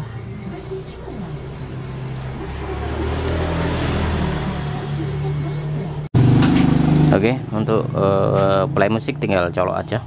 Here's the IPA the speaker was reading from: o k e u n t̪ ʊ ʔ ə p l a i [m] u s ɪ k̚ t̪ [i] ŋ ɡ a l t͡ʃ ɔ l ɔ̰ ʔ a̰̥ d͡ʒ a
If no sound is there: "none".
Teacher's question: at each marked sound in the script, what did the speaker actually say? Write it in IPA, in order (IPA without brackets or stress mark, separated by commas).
m, i